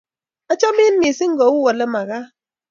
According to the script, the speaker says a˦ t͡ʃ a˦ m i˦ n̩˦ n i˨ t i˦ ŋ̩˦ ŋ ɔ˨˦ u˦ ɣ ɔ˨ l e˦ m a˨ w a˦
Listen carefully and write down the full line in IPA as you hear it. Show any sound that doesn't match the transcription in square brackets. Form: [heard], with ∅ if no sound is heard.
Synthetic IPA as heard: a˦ t͡ʃ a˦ m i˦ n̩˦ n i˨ [s] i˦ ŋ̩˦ [ɡ] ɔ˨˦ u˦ [w] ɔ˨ l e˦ m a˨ [ɣ] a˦